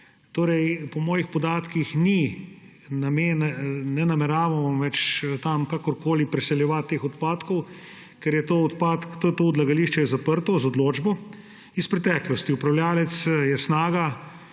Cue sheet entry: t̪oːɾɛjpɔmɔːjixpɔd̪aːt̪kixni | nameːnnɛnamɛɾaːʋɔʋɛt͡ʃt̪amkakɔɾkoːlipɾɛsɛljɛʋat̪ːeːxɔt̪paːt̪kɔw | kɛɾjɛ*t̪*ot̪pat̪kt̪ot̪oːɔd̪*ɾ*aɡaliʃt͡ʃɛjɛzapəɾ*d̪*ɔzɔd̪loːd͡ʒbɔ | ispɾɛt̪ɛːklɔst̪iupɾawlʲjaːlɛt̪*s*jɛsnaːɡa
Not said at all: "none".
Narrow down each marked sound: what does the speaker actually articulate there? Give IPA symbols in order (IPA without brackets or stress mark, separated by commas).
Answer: t̪, l, t̪, s